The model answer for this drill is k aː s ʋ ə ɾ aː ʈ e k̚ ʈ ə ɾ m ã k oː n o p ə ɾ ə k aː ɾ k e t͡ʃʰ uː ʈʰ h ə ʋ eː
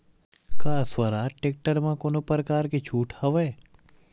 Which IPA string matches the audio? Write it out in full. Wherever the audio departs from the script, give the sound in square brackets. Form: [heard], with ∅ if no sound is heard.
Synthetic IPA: k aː s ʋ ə ɾ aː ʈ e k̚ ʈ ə ɾ m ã k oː n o p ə ɾ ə k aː ɾ k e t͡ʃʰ uː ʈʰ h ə ʋ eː

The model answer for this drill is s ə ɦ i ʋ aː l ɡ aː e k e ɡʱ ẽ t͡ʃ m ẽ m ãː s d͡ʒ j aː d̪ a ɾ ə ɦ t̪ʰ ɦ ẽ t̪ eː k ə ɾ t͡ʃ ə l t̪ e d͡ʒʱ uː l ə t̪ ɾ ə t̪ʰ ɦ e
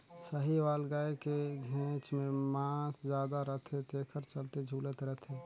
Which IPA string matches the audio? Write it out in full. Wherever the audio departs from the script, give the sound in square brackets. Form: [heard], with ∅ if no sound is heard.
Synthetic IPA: s ə ɦ i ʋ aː l ɡ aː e k e ɡʱ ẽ t͡ʃ m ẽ m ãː s d͡ʒ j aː d̪ a ɾ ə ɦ t̪ʰ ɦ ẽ t̪ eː [kʰ] ə ɾ t͡ʃ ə l t̪ e d͡ʒʱ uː l ə t̪ ɾ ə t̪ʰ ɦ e

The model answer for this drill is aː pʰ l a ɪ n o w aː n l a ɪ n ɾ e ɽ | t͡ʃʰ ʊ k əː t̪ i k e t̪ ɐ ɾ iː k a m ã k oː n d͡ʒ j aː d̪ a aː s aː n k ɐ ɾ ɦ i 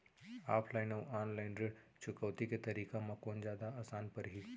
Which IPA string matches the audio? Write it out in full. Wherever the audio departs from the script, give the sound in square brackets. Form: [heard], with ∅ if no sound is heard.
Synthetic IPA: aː pʰ l a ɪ n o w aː n l a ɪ n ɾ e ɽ | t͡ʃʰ ʊ k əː t̪ i k e t̪ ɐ ɾ iː k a m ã k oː n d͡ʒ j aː d̪ a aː s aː n [p] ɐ ɾ ɦ i

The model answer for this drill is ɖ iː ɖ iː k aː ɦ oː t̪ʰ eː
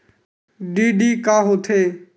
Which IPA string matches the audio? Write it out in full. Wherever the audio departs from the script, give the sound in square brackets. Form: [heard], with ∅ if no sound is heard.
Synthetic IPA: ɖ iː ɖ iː k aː ɦ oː t̪ʰ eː

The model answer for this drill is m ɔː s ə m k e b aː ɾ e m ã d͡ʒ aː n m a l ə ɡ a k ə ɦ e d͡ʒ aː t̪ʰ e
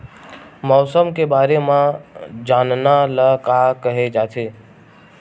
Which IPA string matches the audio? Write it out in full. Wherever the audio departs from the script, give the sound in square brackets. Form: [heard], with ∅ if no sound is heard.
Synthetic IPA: m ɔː s ə m k e b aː ɾ e m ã d͡ʒ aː n [n] a l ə [k] a k ə ɦ e d͡ʒ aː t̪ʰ e

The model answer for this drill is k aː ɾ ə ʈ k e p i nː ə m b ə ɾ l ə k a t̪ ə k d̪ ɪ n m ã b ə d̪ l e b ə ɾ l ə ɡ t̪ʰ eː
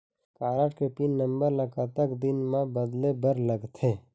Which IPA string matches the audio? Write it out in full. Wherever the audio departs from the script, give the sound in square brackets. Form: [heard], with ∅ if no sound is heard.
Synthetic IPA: k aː ɾ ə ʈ k e p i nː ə m b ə ɾ l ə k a t̪ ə k d̪ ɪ n m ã b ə d̪ l e b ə ɾ l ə ɡ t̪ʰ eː

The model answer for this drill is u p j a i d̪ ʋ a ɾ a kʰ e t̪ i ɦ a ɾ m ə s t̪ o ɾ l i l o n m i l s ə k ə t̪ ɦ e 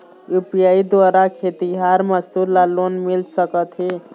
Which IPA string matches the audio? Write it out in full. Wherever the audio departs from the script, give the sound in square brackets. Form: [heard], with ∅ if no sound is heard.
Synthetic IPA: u p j a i d̪ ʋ a ɾ a kʰ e t̪ i ɦ a ɾ m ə s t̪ [u] ɾ l [a] l o n m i l s ə k ə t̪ ɦ e

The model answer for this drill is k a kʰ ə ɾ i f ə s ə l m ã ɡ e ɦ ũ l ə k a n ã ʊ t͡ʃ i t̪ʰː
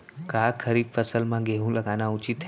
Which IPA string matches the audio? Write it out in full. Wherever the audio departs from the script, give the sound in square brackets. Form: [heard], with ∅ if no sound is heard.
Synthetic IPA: k a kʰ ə ɾ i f ə s ə l m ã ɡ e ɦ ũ l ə [ɡ] a n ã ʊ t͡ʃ i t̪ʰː

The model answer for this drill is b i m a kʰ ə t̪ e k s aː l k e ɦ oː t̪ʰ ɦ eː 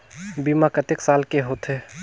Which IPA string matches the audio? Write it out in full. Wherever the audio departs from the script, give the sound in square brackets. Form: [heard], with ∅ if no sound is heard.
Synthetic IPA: b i m a [k] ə t̪ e k s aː l k e ɦ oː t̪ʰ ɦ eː

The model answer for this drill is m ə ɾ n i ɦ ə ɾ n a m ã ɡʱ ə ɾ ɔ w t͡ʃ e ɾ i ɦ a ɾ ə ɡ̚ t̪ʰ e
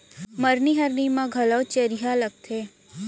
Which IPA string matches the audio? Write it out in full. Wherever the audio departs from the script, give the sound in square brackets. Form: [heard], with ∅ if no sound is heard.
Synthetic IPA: m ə ɾ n i ɦ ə ɾ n [i] m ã ɡʱ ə [l] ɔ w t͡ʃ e ɾ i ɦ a [l] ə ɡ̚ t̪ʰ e

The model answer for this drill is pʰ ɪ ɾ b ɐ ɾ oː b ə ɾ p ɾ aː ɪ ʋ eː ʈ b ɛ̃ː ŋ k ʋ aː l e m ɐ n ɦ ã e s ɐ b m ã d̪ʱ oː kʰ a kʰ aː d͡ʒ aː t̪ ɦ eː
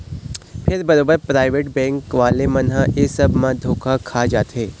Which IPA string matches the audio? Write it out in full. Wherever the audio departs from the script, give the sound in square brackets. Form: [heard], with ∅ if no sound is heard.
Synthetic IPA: pʰ ɪ ɾ b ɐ ɾ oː b ə ɾ p ɾ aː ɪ ʋ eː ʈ b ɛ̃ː ŋ k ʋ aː l e m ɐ n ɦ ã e s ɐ b m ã d̪ʱ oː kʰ a kʰ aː d͡ʒ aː t̪ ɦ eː

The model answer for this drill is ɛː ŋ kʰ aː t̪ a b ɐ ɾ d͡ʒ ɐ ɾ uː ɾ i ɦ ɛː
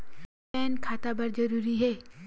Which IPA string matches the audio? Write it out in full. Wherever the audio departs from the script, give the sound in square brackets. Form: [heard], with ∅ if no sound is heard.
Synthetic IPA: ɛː [n] kʰ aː t̪ a b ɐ ɾ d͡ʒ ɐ ɾ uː ɾ i ɦ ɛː

